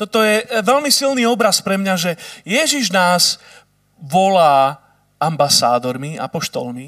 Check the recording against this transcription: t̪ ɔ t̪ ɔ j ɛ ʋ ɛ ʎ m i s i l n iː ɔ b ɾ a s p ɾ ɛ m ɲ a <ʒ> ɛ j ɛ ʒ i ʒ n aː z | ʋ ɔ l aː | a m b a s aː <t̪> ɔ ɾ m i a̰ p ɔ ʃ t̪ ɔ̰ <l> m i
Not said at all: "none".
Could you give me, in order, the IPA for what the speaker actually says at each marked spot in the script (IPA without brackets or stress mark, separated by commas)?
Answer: ʒ, d̪, l